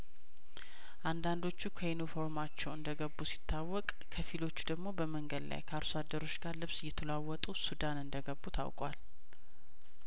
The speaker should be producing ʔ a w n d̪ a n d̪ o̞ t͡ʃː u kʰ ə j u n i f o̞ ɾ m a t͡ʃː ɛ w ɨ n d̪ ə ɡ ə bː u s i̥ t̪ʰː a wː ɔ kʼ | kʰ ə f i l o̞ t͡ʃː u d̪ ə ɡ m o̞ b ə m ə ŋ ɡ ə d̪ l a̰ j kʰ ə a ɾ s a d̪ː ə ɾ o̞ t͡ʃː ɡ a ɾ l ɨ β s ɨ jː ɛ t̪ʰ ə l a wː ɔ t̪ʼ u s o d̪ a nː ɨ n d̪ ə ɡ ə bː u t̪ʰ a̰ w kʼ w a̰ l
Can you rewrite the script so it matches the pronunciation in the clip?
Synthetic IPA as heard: ʔ a n d̪ a n d̪ o̞ t͡ʃː u kʰ ə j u n i f o̞ ɾ m a t͡ʃː ɛ w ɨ n d̪ ə ɡ ə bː u s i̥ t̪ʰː a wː ɔ kʼ | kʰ ə f i l o̞ t͡ʃː u d̪ ə ɡ m o̞ b ə m ə ŋ ɡ ə d̪ l a̰ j kʰ ə a ɾ s a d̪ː ə ɾ o̞ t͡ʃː ɡ a ɾ l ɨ β s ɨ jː ɛ t̪ʰ ə l a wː ɔ t̪ʼ u s u d̪ a n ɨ n d̪ ə ɡ ə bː u t̪ʰ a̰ w kʼ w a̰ l